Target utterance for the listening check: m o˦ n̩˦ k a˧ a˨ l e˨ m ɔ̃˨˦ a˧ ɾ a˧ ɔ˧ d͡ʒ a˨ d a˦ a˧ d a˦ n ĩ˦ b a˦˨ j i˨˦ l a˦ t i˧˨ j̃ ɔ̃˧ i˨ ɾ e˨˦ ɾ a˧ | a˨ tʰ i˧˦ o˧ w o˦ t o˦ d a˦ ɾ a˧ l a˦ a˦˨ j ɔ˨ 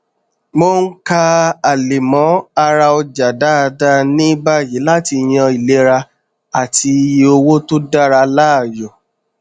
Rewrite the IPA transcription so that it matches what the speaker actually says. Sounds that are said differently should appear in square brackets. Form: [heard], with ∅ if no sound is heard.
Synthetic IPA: m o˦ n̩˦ k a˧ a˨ l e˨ m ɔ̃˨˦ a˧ ɾ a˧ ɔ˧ d͡ʒ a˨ d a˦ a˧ d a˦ n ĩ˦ b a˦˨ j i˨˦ l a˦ t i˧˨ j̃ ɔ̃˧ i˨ [l] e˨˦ ɾ a˧ | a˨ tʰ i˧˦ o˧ w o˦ t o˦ d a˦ ɾ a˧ l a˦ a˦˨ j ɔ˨